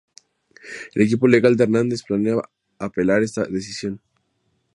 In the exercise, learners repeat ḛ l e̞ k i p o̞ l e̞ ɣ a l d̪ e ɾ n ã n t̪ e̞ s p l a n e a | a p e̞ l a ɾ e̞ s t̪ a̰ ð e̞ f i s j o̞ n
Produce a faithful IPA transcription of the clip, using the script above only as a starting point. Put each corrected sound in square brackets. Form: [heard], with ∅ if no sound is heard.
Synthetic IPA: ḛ l e̞ k i p o̞ l e̞ ɣ a l d̪ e ɾ n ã n [d̪] e̞ s p l a n e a | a p e̞ l a ɾ e̞ s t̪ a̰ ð e̞ [s] i s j o̞ n